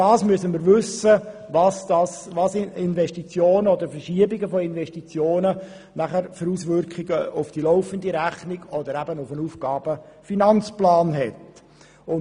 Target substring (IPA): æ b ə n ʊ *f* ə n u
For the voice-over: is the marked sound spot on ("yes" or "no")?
yes